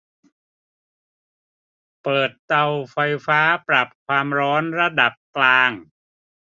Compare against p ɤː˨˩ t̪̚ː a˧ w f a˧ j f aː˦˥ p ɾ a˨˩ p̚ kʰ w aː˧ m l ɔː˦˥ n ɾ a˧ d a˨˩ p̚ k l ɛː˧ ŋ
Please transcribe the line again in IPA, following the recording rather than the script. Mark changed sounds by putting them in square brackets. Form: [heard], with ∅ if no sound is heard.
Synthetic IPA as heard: p ɤː˨˩ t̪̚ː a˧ w f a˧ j f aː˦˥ p ɾ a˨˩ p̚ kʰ w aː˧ m [ɾ] ɔː˦˥ n ɾ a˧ d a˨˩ p̚ k l [aː˧] ŋ